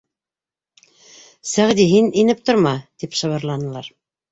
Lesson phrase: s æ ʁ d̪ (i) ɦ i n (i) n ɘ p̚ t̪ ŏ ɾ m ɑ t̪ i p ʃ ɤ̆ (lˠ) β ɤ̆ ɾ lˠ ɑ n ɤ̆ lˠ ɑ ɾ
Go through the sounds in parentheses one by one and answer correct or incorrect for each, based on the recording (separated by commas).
correct, correct, incorrect